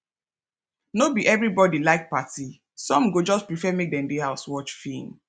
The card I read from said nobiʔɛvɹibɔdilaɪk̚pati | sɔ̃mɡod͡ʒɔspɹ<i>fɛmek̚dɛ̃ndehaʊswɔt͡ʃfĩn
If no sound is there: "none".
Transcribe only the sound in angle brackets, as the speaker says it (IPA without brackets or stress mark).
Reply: i